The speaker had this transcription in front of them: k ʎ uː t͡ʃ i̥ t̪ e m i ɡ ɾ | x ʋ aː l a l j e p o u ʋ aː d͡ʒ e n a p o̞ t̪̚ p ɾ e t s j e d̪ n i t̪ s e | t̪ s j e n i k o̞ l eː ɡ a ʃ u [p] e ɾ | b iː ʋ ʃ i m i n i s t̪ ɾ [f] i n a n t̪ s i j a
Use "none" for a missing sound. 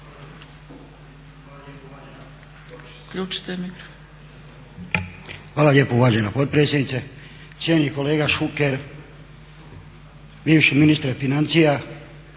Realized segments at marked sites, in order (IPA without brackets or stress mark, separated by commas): k, f